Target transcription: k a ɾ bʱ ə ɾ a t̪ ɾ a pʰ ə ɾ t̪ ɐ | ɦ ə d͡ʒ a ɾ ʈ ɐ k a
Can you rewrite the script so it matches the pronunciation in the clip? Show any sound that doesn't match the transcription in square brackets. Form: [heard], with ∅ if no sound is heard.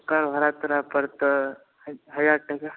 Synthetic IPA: k a ɾ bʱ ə ɾ a t̪ ɾ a [p] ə ɾ t̪ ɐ | ɦ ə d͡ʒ a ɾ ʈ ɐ k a